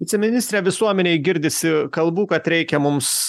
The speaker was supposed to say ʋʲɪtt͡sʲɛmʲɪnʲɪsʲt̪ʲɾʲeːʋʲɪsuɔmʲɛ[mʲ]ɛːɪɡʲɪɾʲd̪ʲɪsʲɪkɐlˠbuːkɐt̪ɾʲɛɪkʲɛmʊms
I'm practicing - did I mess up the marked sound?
yes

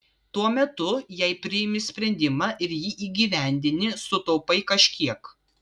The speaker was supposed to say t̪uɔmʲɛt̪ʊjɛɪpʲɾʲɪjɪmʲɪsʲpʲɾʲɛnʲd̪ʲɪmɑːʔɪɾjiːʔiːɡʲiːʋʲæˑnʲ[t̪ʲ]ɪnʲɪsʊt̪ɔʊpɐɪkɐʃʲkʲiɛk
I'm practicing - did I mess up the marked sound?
yes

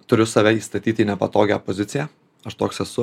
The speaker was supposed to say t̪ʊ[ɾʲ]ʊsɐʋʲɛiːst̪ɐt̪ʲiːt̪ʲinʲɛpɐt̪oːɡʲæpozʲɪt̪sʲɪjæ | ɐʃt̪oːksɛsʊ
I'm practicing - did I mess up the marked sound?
no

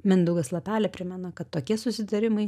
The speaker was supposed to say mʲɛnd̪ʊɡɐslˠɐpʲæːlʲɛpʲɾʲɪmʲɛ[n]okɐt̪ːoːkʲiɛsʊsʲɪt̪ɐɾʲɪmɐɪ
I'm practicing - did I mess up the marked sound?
no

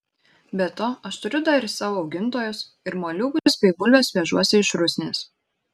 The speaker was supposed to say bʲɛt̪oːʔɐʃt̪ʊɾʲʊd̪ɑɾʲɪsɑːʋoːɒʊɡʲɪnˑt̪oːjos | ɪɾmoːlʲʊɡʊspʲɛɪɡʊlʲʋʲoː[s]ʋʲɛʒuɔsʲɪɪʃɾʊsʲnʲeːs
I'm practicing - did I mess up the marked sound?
no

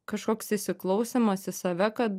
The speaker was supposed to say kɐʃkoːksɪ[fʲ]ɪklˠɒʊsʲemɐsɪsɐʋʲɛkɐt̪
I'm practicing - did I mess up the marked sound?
yes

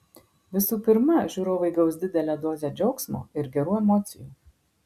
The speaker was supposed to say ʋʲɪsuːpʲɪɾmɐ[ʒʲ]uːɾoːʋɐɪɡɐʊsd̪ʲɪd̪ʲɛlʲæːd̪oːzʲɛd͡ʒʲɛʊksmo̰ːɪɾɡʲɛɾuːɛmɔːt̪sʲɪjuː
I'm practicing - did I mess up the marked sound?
no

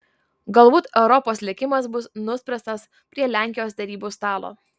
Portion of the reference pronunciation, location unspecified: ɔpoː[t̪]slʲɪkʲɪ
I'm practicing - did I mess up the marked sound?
yes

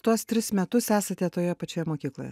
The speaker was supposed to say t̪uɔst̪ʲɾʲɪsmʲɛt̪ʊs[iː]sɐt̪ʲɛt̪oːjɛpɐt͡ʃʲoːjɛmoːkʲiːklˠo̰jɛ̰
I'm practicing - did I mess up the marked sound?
yes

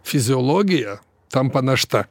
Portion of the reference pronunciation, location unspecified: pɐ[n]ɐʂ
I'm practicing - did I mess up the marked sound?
no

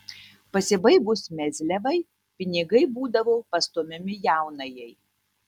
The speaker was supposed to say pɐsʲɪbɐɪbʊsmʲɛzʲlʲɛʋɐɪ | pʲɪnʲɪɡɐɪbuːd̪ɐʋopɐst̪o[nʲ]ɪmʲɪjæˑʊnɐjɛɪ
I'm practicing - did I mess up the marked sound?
yes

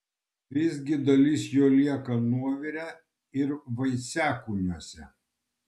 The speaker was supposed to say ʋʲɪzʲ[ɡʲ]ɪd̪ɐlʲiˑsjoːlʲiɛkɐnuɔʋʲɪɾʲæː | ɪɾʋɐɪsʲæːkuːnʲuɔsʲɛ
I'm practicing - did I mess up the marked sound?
no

